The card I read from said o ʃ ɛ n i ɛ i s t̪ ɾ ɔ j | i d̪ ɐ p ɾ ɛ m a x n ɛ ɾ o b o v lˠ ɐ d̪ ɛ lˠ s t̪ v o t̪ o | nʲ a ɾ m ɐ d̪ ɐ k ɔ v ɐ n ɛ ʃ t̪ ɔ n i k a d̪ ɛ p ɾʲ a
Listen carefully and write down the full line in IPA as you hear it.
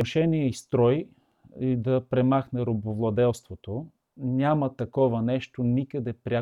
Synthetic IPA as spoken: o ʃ ɛ n i ɛ i s t̪ ɾ ɔ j | i d̪ ɐ p ɾ ɛ m a x n ɛ ɾ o b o v lˠ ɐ d̪ ɛ lˠ s t̪ v o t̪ o | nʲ a m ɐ t̪ ɐ k ɔ v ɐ n ɛ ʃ t̪ o n i k ə d̪ ɛ p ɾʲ a